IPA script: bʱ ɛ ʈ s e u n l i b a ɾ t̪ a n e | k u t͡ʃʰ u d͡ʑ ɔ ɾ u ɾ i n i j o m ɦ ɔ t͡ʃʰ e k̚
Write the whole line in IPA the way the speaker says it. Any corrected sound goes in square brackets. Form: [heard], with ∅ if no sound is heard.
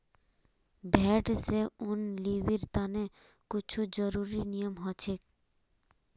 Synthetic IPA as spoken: bʱ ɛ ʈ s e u n l i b [i] ɾ t̪ a n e | k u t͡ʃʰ u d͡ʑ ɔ ɾ u ɾ i n i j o m ɦ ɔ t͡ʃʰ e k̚